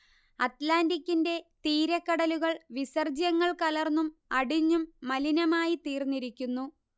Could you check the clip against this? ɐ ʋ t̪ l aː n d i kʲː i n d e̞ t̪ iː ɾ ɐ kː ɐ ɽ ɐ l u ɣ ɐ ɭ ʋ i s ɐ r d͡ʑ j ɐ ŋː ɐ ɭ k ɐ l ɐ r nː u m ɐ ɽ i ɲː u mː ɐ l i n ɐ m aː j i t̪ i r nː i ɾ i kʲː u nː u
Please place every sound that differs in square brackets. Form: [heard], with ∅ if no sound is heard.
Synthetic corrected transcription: ɐ [∅] t̪ l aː n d i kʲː i n d e̞ t̪ iː ɾ ɐ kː ɐ ɽ ɐ l u ɣ ɐ ɭ ʋ i s ɐ r d͡ʑ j ɐ ŋː ɐ ɭ k ɐ l ɐ r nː u m ɐ ɽ i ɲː u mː ɐ l i n ɐ m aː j i t̪ [iː] r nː i ɾ i kʲː u nː u

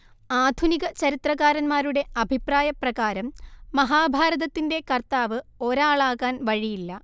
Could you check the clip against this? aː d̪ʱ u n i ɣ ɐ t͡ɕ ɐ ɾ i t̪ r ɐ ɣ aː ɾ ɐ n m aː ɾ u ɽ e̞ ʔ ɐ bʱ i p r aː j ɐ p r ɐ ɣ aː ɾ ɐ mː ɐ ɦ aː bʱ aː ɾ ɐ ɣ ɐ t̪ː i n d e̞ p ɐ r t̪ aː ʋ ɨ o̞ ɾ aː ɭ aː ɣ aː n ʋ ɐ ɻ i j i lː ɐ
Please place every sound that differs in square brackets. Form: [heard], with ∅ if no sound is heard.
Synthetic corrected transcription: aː d̪ʱ u n i ɣ ɐ t͡ɕ ɐ ɾ i t̪ r ɐ ɣ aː ɾ ɐ n m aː ɾ u ɽ e̞ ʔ ɐ bʱ i p r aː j ɐ p r ɐ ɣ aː ɾ ɐ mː ɐ ɦ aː bʱ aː ɾ ɐ [ð] ɐ t̪ː i n d e̞ [k] ɐ r t̪ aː ʋ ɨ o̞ ɾ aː ɭ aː ɣ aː n ʋ ɐ ɻ i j i lː ɐ

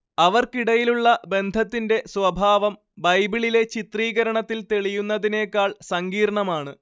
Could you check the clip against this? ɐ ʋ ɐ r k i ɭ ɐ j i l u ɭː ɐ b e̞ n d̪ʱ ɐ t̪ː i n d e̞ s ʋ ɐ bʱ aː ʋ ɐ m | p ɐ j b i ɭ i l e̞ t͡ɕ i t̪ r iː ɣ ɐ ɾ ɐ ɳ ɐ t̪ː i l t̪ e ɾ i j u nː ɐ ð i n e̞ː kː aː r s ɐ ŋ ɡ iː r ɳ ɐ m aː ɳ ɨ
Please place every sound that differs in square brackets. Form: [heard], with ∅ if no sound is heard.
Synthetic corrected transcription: ɐ ʋ ɐ r k i [ɽ] ɐ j i l u ɭː ɐ b e̞ n d̪ʱ ɐ t̪ː i n d e̞ s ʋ ɐ bʱ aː ʋ ɐ m | [b] ɐ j b i ɭ i l e̞ t͡ɕ i t̪ r iː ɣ ɐ ɾ ɐ ɳ ɐ t̪ː i l t̪ e [ɭ] i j u nː ɐ ð i n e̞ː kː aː [ɭ] s ɐ ŋ ɡ iː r ɳ ɐ m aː ɳ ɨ

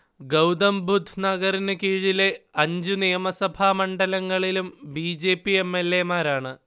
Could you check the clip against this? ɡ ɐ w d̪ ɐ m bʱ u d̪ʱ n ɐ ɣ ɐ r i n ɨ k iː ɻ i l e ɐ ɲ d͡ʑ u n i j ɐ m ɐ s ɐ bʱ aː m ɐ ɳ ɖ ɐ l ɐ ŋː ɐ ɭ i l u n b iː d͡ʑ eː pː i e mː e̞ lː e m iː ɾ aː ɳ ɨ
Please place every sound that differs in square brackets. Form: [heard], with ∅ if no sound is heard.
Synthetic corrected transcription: ɡ ɐ w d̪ ɐ m bʱ u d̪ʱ n ɐ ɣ ɐ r i n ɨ k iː ɻ i l e ɐ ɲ d͡ʑ u n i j ɐ m ɐ s ɐ bʱ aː m ɐ ɳ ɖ ɐ l ɐ ŋː ɐ ɭ i l u [m] b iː d͡ʑ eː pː i e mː e̞ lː e m [aː] ɾ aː ɳ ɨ

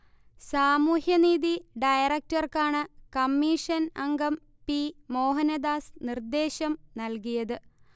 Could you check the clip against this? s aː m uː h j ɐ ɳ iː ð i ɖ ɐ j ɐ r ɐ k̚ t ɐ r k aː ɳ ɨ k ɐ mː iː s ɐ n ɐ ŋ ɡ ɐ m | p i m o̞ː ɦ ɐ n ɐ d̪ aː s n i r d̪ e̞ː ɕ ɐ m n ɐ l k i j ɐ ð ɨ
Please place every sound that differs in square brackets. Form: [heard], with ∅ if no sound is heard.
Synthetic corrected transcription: s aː m uː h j ɐ [n] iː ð i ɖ ɐ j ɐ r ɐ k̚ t ɐ r k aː ɳ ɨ k ɐ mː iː [ʂ] ɐ n ɐ ŋ ɡ ɐ m | p i m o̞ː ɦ ɐ n ɐ d̪ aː s n i r d̪ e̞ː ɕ ɐ m n ɐ l k i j ɐ ð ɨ

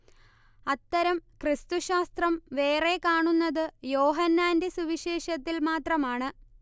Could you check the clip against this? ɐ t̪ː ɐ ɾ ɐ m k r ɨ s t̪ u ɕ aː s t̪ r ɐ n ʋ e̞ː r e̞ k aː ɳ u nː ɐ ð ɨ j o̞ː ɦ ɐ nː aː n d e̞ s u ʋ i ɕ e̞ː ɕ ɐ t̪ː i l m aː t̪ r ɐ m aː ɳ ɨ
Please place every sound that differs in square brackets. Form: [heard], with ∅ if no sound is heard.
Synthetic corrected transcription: ɐ t̪ː ɐ ɾ ɐ m k r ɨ s t̪ u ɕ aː s t̪ r ɐ [m] ʋ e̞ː r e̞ k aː ɳ u nː ɐ ð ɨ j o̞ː ɦ ɐ nː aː n d e̞ s u ʋ i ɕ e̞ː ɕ ɐ t̪ː i l m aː t̪ r ɐ m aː ɳ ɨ

